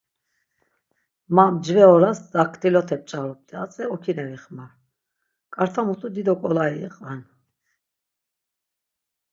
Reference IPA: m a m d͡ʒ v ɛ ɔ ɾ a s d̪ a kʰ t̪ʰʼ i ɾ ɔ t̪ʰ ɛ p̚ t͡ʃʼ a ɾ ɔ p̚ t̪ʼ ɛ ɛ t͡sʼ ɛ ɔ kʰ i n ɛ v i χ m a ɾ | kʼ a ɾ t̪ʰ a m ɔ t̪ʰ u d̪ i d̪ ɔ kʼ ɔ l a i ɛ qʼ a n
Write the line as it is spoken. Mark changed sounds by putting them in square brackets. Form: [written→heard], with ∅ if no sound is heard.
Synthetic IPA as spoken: m a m d͡ʒ v ɛ ɔ ɾ a s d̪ a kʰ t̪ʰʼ i [ɾ→l] ɔ t̪ʰ ɛ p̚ t͡ʃʼ a ɾ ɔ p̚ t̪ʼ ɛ [ɛ→a] t͡sʼ ɛ ɔ kʰ i n ɛ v i χ m a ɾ | kʼ a ɾ t̪ʰ a m [ɔ→u] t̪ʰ u d̪ i d̪ ɔ kʼ ɔ l a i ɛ qʼ a n